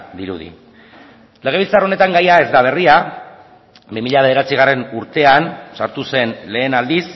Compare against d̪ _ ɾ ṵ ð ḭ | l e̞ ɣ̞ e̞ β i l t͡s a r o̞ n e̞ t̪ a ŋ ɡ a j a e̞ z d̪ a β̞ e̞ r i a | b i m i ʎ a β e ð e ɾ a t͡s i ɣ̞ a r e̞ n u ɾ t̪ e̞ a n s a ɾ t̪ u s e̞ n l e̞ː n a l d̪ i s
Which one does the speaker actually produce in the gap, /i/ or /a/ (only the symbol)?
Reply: i